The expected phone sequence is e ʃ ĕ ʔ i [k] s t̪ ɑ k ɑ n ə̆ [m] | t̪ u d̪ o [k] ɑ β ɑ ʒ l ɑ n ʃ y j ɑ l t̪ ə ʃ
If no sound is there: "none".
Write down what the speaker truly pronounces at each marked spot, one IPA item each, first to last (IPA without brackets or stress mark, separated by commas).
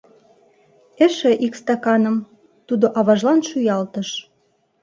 k, m, ʔ